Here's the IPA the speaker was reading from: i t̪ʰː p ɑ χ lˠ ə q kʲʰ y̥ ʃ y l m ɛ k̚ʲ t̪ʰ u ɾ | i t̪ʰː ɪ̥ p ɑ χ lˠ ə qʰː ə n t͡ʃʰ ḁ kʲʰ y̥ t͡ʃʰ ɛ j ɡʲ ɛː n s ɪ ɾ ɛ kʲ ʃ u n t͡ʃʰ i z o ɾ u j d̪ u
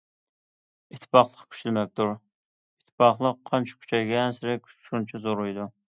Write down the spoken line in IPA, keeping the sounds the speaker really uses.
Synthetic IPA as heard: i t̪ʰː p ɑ χ lˠ ə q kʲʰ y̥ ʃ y l m ɛ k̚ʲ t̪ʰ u ɾ | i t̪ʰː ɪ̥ p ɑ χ lˠ ə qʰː ɑ n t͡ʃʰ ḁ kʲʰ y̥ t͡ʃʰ ɛ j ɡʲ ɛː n s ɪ ɾ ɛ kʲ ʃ u n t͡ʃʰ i z o ɾ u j d̪ u